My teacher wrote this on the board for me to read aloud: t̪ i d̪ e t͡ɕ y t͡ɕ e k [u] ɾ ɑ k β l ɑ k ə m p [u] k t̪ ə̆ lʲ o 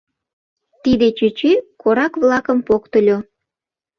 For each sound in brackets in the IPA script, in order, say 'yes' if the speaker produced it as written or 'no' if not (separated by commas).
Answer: no, no